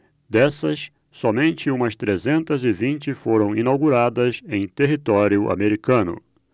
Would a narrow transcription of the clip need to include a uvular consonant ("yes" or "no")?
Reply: no